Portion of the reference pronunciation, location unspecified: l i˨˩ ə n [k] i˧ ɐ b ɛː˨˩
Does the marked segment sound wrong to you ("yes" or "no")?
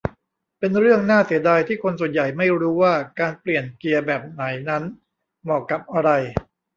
no